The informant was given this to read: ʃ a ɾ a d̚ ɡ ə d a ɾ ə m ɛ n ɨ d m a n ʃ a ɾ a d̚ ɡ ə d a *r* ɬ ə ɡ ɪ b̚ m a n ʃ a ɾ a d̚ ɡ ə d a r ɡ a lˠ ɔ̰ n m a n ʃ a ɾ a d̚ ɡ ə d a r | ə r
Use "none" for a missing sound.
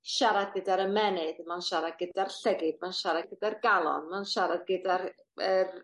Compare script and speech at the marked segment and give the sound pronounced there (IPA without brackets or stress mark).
r